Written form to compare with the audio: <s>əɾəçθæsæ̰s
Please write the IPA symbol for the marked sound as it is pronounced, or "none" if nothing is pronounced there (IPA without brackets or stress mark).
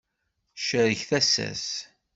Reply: ʃ